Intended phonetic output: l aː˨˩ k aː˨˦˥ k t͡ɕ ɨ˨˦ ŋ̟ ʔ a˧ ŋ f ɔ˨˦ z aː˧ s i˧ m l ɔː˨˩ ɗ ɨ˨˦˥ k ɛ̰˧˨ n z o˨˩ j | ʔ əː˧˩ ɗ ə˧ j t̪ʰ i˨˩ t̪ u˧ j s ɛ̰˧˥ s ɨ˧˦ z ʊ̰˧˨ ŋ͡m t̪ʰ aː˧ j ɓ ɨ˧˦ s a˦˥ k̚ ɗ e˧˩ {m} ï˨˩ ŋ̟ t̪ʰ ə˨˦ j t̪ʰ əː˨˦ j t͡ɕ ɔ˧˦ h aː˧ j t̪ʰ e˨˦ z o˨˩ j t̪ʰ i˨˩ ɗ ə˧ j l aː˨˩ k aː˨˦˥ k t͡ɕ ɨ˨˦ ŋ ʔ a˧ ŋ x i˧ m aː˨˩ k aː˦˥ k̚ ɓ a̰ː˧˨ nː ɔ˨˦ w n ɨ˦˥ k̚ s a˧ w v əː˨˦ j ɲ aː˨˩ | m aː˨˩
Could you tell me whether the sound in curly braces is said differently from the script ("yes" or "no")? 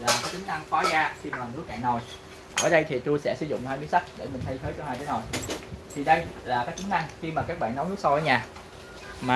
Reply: no